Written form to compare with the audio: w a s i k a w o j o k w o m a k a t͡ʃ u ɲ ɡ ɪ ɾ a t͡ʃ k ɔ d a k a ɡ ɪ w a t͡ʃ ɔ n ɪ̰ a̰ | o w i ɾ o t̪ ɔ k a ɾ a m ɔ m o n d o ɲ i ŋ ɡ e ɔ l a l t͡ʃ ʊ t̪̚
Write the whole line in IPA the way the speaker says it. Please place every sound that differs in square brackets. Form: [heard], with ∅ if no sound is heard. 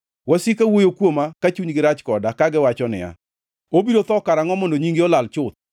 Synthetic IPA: w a s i k a w o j o k w o m a k a t͡ʃ u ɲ ɡ ɪ ɾ a t͡ʃ k ɔ d a k a ɡ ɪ w a t͡ʃ ɔ n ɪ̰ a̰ | o [b] i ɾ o t̪ ɔ k a ɾ a [ŋ] ɔ m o n d o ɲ i ŋ ɡ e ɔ l a l t͡ʃ ʊ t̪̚

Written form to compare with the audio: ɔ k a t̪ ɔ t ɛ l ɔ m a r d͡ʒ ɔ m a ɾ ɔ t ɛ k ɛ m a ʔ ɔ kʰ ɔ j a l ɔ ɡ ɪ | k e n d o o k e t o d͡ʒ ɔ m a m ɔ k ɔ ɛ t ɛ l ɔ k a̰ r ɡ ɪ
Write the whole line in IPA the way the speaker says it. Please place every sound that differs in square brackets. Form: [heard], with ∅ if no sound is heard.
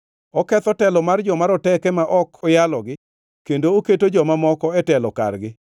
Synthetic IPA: ɔ k [ɛ] t̪ ɔ t ɛ l ɔ m a r d͡ʒ ɔ m a ɾ ɔ t ɛ k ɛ m a ʔ ɔ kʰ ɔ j a l ɔ ɡ ɪ | k e n d o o k e t o d͡ʒ ɔ m a m ɔ k ɔ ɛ t ɛ l ɔ k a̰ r ɡ ɪ

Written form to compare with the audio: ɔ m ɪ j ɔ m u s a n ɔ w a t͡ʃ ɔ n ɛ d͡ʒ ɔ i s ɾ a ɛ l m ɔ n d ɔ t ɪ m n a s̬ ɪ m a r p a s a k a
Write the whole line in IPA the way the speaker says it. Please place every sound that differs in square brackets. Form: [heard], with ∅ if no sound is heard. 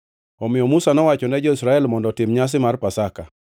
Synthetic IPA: ɔ m ɪ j ɔ m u s a n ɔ w a t͡ʃ ɔ n ɛ d͡ʒ ɔ i s ɾ a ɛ l m ɔ n d ɔ t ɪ m [ɲ] a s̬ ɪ m a r p a s a k a

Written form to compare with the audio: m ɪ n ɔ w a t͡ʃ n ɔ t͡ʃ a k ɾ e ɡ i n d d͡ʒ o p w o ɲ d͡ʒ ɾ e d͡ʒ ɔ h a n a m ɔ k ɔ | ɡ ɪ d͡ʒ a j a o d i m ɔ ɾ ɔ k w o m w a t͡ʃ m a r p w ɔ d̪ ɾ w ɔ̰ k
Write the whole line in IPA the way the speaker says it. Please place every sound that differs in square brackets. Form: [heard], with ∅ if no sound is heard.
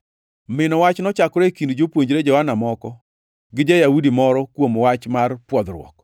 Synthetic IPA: m ɪ n ɔ w a t͡ʃ n ɔ t͡ʃ a k ɾ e [k] i n d d͡ʒ o p w o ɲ d͡ʒ ɾ e d͡ʒ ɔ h a n a m ɔ k ɔ | ɡ ɪ d͡ʒ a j a [u] d i m ɔ ɾ ɔ k w o m w a t͡ʃ m a r p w ɔ d̪ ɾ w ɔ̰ k

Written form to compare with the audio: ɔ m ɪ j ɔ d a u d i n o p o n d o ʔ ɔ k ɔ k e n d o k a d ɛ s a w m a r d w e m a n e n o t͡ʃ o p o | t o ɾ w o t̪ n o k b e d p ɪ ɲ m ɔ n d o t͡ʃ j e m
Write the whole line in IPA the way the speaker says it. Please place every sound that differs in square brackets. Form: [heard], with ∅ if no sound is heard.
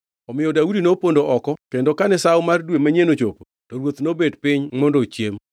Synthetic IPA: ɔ m ɪ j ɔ d a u d i n o p o n d o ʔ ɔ k ɔ k e n d o k a [n] ɛ s a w m a r d w e m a [ɲ] e n o t͡ʃ o p o | t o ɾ w o t̪ n o [∅] b e d p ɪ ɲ m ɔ n d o t͡ʃ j e m

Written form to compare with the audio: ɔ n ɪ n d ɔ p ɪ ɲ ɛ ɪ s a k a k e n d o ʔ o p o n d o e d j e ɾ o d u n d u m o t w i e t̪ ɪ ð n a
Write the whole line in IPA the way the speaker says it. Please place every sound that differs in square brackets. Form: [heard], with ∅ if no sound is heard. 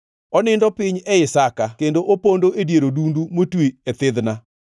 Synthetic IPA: ɔ n ɪ n d ɔ p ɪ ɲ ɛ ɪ s a k a k e n d o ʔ o p o n d o e d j e ɾ o d u n d u m o t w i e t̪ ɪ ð n a

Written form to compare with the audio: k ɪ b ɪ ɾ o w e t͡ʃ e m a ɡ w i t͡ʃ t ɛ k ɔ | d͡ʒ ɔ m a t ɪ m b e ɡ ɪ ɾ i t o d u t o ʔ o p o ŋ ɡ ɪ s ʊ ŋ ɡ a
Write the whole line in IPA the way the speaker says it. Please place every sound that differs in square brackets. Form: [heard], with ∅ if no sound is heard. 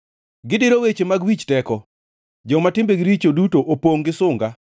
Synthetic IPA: [ɡ] ɪ [d] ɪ ɾ o w e t͡ʃ e m a ɡ w i t͡ʃ t ɛ k ɔ | d͡ʒ ɔ m a t ɪ m b e ɡ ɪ ɾ i [t͡ʃ] o d u t o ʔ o p o ŋ ɡ ɪ s ʊ ŋ ɡ a

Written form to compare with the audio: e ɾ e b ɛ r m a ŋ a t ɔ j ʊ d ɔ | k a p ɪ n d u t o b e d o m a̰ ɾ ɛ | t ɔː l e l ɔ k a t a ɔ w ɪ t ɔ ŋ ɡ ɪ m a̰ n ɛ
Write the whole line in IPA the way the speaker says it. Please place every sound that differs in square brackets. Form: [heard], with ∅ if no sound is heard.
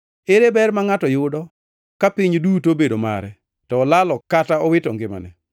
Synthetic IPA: e ɾ e b ɛ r m a ŋ a t ɔ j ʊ d ɔ | k a p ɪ [ɲ] d u t o b e d o m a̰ ɾ ɛ | t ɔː l [a] l ɔ k a t a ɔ w ɪ t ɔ ŋ ɡ ɪ m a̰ n ɛ

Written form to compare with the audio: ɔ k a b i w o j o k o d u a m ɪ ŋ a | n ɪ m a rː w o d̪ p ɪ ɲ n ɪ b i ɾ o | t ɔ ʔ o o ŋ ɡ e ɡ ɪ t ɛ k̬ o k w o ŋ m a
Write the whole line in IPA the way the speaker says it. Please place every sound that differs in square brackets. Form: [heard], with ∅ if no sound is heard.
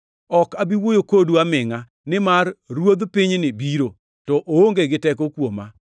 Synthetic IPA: ɔ k a b i w o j o k o d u a m ɪ ŋ a | n ɪ m a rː w o d̪ p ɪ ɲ n ɪ b i ɾ o | t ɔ ʔ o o ŋ ɡ e ɡ ɪ t ɛ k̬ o k w o [∅] m a

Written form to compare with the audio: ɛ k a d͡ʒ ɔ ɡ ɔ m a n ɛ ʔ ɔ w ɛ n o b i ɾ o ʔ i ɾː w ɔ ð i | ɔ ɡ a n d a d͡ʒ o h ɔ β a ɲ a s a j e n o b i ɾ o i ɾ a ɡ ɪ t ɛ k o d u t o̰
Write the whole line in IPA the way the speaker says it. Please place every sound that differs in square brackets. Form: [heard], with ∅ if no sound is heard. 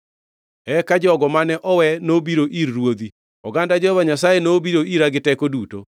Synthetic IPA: ɛ k a d͡ʒ ɔ ɡ ɔ m a n ɛ ʔ ɔ w ɛ n o b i ɾ o ʔ i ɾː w [o] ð i | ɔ ɡ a n d a d͡ʒ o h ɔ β a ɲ a s a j e n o b i ɾ o i ɾ a ɡ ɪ t ɛ k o d u t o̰

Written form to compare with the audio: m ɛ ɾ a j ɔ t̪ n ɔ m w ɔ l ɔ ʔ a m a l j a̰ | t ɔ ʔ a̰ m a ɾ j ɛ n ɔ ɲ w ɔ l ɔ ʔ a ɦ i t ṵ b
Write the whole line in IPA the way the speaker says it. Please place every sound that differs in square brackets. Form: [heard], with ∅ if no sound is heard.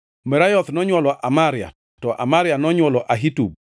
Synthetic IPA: m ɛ ɾ a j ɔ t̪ n ɔ [ɲ] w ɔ l ɔ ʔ a m a [ɾ] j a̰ | t ɔ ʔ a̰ m a ɾ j [a] n ɔ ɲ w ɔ l ɔ ʔ a ɦ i t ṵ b

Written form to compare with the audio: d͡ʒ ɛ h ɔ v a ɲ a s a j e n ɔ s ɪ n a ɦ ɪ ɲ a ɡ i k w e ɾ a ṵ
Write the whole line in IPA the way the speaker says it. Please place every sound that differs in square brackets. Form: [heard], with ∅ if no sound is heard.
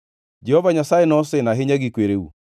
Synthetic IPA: d͡ʒ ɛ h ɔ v a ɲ a s a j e n ɔ s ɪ n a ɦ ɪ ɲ a ɡ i k w e ɾ [e] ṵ

